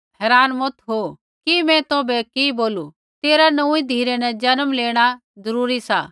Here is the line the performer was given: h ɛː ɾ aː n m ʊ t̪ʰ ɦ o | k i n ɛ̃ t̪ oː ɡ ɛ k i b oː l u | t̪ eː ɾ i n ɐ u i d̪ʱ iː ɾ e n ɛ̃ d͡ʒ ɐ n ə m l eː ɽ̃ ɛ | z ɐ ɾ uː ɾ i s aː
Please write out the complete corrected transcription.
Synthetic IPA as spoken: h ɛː ɾ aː n m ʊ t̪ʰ ɦ o | k i m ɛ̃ t̪ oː b ɛ k i b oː l u | t̪ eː ɾ a n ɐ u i d̪ʱ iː ɾ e n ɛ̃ d͡ʒ ɐ n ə m l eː ɽ̃ a | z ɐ ɾ uː ɾ i s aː